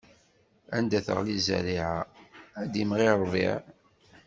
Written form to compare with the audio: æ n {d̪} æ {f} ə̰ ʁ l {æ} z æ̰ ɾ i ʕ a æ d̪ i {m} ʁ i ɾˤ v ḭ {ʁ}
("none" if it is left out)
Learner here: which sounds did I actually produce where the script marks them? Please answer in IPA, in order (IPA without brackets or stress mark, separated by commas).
d̪, θ, i, m, ʕ